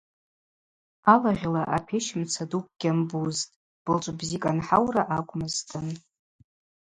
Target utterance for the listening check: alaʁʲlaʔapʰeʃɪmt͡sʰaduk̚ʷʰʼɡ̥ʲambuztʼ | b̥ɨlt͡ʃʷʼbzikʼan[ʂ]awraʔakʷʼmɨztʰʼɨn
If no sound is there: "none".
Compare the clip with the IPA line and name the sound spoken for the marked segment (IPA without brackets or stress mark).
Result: ħ